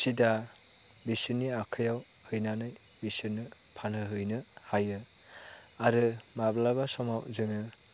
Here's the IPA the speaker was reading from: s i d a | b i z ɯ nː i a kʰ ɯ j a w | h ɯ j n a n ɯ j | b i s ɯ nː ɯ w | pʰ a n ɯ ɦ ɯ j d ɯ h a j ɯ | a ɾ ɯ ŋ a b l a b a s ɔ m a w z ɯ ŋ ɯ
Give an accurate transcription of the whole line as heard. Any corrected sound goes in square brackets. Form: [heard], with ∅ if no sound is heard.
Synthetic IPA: s i d a | b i [s] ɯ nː i a kʰ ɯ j a w | h ɯ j n a n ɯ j | b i s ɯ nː ɯ [∅] | pʰ a n ɯ ɦ ɯ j [n] ɯ h a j ɯ | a ɾ ɯ [m] a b l a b a s ɔ m a w z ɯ ŋ ɯ